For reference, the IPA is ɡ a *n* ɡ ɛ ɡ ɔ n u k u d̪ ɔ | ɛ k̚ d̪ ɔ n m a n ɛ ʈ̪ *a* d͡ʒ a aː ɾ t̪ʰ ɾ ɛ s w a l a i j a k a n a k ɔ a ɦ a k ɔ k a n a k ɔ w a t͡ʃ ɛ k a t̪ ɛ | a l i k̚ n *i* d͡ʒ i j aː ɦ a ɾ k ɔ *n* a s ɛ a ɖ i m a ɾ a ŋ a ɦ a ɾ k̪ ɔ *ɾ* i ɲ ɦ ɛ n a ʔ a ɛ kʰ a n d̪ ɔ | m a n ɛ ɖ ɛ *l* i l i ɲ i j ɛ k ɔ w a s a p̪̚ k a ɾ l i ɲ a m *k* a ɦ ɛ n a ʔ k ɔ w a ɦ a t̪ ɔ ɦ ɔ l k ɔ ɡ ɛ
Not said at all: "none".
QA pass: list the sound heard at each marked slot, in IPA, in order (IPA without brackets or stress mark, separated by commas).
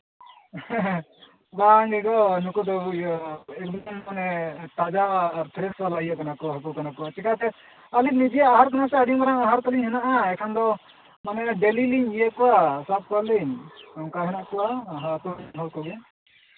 ŋ, a, i, n, l, l, k